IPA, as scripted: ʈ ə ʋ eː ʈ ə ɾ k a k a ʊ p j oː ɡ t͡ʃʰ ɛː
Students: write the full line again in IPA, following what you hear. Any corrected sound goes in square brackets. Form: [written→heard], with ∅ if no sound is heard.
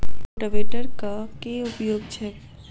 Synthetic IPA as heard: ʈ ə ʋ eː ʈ ə ɾ k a k [a→e] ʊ p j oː ɡ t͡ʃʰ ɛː